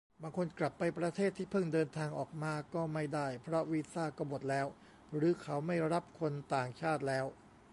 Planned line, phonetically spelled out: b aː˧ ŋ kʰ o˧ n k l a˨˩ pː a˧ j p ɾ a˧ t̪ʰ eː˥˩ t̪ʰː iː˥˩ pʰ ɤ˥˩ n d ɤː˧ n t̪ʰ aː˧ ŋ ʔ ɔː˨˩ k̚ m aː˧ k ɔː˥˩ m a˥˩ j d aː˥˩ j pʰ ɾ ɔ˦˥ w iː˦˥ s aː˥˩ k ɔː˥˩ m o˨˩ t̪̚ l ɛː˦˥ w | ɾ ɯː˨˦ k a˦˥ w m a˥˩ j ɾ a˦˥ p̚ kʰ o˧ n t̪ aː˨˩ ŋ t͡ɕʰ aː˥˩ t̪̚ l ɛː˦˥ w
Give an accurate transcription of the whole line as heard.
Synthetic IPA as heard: b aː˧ ŋ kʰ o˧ n k l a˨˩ pː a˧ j p ɾ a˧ t̪ʰ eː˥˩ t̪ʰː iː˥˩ pʰ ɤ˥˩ ŋ d ɤː˧ n t̪ʰ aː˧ ŋ ʔ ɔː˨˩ k̚ m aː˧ k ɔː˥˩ m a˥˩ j d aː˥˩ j pʰ ɾ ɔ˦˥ w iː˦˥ s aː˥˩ k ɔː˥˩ m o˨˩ t̪̚ l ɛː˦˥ w | ɾ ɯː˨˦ kʰ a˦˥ w m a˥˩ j ɾ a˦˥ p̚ kʰ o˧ n t̪ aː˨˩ ŋ t͡ɕʰ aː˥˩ t̪̚ l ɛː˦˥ w

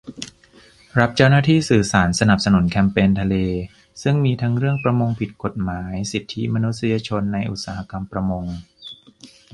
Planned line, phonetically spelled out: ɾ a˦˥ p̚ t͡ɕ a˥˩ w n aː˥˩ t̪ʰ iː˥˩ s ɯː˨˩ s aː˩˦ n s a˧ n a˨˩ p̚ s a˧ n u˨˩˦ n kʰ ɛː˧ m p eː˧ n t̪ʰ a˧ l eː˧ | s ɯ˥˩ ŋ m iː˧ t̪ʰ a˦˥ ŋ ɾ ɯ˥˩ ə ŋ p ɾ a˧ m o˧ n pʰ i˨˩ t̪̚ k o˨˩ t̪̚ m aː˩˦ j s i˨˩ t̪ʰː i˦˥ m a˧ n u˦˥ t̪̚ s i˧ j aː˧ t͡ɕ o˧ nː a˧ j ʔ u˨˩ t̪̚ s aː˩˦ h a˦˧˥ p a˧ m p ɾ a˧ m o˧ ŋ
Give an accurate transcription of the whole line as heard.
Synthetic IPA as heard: ɾ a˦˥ p̚ t͡ɕ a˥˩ w n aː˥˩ t̪ʰ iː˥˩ s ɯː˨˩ s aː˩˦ n s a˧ n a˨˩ p̚ s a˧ n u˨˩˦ n kʰ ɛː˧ m p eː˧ n t̪ʰ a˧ l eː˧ | s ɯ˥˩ ŋ m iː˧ t̪ʰ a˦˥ ŋ ɾ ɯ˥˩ ə ŋ p ɾ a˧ m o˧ ŋ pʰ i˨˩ t̪̚ k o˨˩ t̪̚ m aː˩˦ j s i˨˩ t̪ʰː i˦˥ m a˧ n u˦˥ t̪̚ s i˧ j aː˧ t͡ɕʰ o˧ nː a˧ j ʔ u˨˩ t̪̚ s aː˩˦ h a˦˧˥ k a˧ m p ɾ a˧ m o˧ ŋ

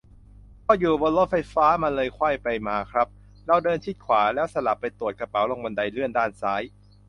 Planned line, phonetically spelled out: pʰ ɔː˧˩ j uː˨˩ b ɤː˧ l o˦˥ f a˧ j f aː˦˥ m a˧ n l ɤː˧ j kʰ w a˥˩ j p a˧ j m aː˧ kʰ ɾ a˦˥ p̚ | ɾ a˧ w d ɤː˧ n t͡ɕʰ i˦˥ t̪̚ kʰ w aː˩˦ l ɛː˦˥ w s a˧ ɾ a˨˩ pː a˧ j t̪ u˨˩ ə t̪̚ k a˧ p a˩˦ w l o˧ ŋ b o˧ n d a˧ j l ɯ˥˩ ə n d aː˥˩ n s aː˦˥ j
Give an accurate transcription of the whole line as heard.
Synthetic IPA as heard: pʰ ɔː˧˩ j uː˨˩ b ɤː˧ l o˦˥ f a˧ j f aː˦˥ m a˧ n l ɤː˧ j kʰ w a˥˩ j p a˧ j m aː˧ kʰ ɾ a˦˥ p̚ | ɾ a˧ w d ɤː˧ n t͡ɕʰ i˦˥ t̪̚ kʰ w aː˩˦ l ɛː˦˥ w s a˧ l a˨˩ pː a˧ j t̪ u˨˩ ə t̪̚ k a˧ p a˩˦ w l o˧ ŋ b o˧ n d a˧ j l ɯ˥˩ ə n d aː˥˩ n s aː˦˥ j

